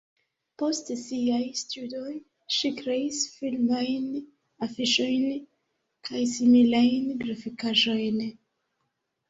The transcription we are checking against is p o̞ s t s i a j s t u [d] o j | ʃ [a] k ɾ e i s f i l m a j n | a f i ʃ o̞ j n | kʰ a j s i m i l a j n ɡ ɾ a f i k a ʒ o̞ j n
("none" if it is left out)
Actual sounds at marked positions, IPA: d, i

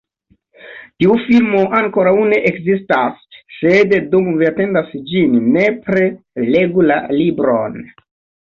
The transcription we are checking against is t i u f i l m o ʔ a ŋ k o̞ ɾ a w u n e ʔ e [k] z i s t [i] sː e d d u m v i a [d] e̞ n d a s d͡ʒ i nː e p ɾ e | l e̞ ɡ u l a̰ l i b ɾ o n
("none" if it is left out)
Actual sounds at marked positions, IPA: k, a, t

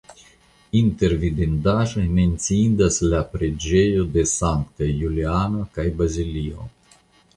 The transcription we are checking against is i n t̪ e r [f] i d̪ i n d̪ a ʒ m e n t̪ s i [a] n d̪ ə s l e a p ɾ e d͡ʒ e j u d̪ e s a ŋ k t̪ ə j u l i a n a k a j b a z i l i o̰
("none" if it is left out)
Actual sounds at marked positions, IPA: v, i

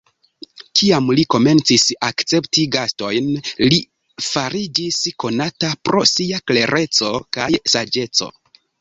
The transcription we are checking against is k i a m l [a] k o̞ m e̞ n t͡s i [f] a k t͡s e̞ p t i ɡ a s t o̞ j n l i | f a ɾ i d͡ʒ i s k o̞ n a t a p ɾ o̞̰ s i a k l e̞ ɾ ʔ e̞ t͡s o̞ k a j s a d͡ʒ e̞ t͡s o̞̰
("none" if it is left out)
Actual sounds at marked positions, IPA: i, s

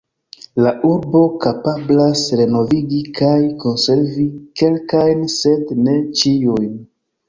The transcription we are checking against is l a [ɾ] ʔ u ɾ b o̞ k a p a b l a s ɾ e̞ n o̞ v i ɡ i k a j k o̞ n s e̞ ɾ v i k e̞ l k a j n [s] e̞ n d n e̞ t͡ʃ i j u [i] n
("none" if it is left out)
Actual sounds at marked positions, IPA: none, s, j

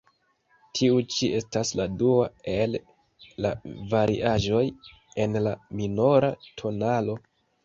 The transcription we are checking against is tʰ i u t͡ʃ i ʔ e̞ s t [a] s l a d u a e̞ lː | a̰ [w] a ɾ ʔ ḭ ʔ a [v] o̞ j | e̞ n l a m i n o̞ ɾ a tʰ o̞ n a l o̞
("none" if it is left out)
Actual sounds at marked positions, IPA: a, v, ʒ

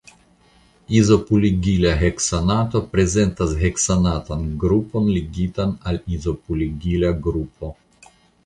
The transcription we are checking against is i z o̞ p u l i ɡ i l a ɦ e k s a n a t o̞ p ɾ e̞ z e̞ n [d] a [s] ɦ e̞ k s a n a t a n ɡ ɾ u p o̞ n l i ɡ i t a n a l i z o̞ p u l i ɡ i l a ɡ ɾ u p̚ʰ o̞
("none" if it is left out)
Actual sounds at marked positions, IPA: t, s

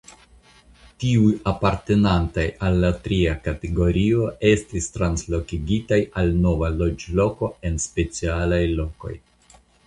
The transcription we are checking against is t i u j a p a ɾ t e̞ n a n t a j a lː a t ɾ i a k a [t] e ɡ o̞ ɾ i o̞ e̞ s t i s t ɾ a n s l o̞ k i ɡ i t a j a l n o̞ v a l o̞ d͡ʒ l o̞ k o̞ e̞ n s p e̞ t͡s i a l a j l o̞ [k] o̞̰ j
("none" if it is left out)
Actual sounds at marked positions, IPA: t, k

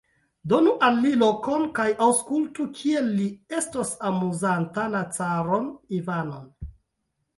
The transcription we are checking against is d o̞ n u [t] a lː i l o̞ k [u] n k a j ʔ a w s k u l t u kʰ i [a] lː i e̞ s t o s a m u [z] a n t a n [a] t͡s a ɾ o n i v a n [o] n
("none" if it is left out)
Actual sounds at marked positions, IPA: ʔ, o, e, z, a, o

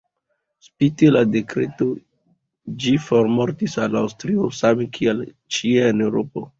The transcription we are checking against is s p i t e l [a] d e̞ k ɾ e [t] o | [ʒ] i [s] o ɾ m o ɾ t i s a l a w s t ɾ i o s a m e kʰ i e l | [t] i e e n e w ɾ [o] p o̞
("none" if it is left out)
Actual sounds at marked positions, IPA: a, t, d͡ʒ, f, t͡ʃ, o

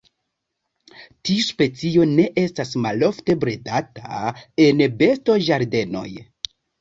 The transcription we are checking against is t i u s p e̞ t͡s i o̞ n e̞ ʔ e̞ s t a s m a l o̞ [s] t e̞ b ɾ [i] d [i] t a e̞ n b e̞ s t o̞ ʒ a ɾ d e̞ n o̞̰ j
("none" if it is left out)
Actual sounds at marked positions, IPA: f, e, a

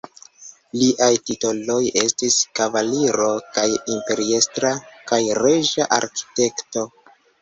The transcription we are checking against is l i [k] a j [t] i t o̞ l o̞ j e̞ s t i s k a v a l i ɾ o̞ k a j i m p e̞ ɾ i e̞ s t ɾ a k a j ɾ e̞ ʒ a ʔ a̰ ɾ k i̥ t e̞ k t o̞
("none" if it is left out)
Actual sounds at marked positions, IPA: ʔ, t

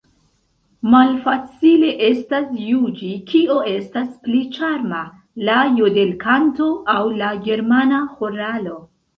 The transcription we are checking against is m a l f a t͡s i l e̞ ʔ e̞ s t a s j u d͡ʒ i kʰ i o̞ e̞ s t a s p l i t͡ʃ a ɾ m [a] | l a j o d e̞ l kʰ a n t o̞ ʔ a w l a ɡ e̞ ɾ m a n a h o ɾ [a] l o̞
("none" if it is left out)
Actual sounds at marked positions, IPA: a, a

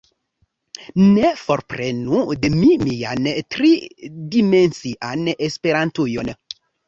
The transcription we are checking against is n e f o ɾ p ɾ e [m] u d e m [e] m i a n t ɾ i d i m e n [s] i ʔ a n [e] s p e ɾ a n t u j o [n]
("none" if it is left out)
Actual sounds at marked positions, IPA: n, i, s, e, n

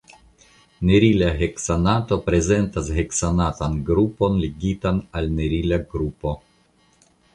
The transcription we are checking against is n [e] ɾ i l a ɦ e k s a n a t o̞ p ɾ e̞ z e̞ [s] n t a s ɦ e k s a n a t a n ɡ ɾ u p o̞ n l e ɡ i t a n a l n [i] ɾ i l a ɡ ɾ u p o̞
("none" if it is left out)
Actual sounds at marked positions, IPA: e, none, e

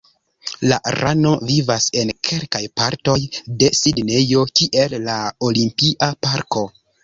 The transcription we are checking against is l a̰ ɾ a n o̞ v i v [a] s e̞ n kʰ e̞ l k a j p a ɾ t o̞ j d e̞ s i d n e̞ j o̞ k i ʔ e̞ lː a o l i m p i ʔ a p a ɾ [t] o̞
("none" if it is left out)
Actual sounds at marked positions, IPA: a, k

